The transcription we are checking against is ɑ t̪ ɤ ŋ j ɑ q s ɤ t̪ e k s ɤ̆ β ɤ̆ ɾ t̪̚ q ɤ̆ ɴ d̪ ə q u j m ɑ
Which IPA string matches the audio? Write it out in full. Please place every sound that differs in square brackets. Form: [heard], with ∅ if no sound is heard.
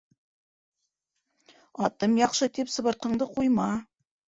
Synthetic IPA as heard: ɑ t̪ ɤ [m] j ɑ q [ʃ] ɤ t̪ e [p] s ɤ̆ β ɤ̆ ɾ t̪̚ q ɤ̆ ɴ d̪ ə q u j m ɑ